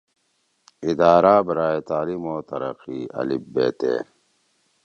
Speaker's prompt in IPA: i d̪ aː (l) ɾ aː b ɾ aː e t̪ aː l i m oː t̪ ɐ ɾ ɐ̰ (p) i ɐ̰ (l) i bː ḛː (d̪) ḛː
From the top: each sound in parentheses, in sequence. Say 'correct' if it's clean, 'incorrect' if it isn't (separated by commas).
incorrect, incorrect, correct, incorrect